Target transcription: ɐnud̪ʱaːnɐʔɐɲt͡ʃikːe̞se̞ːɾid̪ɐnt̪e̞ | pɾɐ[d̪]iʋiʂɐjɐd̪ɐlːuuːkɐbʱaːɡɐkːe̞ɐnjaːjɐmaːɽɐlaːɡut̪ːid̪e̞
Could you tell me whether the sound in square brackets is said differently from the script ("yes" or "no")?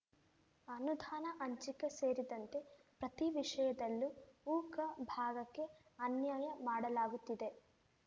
yes